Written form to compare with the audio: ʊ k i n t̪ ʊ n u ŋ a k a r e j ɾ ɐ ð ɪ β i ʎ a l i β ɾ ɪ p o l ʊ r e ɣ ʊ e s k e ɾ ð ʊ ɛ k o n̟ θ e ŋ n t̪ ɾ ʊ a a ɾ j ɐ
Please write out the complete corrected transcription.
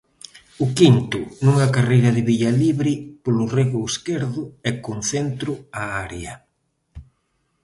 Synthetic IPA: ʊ k i n t̪ ʊ n u ŋ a k a r e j ɾ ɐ ð ɪ β i ʎ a l i β ɾ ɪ p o l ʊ r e ɣ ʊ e s k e ɾ ð ʊ ɛ k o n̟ θ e n t̪ ɾ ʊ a a ɾ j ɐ